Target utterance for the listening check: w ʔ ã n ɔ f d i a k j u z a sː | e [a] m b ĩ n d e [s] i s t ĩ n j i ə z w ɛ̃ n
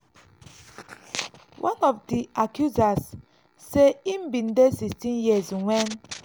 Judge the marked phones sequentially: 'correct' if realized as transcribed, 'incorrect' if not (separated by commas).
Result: incorrect, correct